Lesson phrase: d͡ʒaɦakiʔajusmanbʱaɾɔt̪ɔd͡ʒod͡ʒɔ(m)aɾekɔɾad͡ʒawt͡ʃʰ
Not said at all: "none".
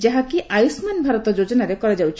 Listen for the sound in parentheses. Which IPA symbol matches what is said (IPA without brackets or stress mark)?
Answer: n